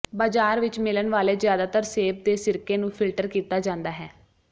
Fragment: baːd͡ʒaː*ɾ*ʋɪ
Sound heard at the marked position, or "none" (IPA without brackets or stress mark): ɾ